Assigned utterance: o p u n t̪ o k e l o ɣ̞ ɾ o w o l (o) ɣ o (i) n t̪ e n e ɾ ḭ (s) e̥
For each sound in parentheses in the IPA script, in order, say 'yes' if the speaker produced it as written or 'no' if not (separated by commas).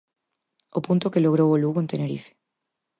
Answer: no, no, no